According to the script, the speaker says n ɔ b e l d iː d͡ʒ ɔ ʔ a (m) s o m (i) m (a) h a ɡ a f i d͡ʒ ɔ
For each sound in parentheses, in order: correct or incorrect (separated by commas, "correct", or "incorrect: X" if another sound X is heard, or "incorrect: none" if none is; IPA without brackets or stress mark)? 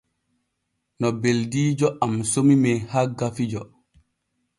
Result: correct, correct, incorrect: ɛ